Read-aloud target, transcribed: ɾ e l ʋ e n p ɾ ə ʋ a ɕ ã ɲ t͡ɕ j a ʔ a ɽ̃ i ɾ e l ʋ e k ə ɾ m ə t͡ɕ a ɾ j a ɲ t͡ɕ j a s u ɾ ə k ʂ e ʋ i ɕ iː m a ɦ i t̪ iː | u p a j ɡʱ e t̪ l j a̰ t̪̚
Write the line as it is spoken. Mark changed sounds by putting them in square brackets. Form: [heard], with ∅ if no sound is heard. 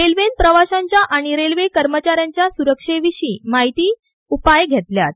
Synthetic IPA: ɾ e l ʋ e n p ɾ ə ʋ a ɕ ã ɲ t͡ɕ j a ʔ a ɽ̃ i ɾ e l ʋ e k ə ɾ m ə t͡ɕ a ɾ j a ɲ t͡ɕ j a s u ɾ ə k ʂ e ʋ i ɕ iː m a ɦ i t̪ iː | u p a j ɡʱ e t̪ l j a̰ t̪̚